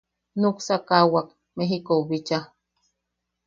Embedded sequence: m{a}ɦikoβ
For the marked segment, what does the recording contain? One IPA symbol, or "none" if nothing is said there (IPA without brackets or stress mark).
e